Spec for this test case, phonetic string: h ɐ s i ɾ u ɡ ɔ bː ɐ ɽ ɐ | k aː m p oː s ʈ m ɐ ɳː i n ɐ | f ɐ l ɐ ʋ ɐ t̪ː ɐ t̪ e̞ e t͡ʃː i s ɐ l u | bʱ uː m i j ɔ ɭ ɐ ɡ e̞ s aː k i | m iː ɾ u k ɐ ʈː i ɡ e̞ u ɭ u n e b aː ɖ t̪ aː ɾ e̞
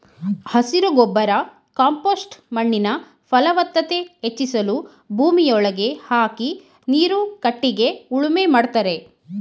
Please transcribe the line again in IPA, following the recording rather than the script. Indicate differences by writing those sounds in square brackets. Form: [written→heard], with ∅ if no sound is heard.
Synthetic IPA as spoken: h ɐ s i ɾ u ɡ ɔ bː ɐ [ɽ→ɾ] ɐ | k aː m p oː s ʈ m ɐ ɳː i n ɐ | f ɐ l ɐ ʋ ɐ t̪ː ɐ t̪ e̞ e t͡ʃː i s ɐ l u | bʱ uː m i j ɔ ɭ ɐ ɡ e̞ [s→h] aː k i | [m→n] iː ɾ u k ɐ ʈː i ɡ e̞ u ɭ u [n→m] e [b→m] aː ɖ t̪ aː ɾ e̞